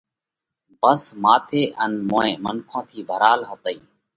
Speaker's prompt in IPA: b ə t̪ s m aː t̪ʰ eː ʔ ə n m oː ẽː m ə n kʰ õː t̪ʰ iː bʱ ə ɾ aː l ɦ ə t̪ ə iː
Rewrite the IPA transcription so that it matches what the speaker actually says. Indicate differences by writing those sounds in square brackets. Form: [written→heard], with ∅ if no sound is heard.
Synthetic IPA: b ə [t̪→∅] s m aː t̪ʰ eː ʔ ə n m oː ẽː m ə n kʰ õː t̪ʰ iː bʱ ə ɾ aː l ɦ ə t̪ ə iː